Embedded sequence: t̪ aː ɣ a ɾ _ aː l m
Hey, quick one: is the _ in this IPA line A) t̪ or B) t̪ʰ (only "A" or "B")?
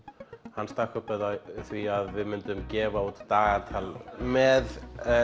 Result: B